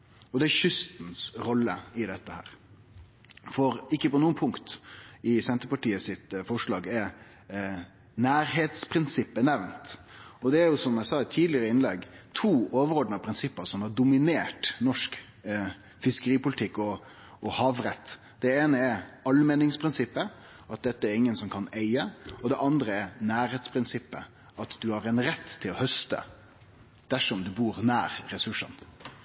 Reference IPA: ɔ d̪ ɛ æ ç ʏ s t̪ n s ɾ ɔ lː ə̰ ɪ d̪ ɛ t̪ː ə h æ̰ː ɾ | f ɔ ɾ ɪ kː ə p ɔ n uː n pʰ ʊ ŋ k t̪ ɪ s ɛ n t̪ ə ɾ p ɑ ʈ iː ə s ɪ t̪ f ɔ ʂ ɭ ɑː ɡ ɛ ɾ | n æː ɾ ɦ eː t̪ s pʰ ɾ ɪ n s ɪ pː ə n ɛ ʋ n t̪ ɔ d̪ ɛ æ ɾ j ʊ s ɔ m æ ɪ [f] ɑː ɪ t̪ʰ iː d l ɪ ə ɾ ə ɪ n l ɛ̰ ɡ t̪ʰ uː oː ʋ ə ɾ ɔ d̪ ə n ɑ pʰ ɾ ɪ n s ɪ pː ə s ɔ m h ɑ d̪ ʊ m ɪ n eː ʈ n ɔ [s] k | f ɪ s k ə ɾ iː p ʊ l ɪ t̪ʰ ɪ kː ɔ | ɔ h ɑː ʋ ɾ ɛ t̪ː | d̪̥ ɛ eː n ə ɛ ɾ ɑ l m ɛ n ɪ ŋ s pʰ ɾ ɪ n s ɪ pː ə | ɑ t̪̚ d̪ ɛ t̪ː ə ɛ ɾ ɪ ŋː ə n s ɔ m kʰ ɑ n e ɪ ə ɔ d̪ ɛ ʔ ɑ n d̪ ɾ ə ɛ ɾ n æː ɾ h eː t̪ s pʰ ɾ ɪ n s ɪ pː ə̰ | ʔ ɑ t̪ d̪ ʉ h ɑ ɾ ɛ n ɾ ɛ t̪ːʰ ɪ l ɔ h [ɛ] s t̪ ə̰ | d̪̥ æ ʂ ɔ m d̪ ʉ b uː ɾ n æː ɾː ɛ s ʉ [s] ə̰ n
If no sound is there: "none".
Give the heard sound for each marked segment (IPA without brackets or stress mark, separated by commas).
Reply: s, ʂ, œ, ʂ